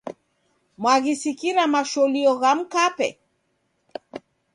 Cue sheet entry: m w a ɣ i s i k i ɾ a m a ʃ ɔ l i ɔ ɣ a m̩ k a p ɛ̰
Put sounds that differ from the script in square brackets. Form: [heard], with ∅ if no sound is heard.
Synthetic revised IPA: m w a ɣ i s i k i ɾ a m a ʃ ɔ l i ɔ ɣ a m̩ k a p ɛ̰